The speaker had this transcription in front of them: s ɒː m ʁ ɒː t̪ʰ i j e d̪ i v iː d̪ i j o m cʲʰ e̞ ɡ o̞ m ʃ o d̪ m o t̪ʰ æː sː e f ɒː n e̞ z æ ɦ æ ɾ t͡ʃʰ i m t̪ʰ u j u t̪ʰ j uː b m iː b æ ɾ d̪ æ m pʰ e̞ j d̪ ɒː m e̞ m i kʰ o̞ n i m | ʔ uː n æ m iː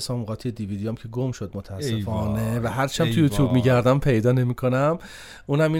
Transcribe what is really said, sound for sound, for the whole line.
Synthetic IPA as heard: s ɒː m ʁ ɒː t̪ʰ i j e d̪ i v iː d̪ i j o m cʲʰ e̞ ɡ o̞ m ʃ o d̪ m o t̪ʰ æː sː e f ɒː n e̞ v æ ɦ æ ɾ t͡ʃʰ æ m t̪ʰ u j u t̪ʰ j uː b m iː ɟ æ ɾ d̪ æ m pʰ e̞ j d̪ ɒː n e̞ m i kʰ o̞ n æ m | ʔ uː n æ m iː